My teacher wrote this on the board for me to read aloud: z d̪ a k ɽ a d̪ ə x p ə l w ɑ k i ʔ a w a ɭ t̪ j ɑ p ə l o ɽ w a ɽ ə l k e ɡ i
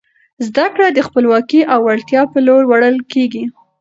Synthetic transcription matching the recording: z d̪ a k ɽ a d̪ ə x p ə l w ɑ k i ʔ a w a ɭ t̪ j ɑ p ə l o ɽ w a ɽ ə l k e ɡ i